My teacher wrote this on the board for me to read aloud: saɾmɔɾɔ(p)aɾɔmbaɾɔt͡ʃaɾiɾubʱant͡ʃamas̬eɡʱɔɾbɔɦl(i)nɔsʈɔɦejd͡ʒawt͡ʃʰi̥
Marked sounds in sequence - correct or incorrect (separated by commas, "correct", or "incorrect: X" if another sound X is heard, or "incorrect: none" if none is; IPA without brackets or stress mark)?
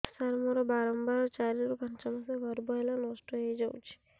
incorrect: b, incorrect: a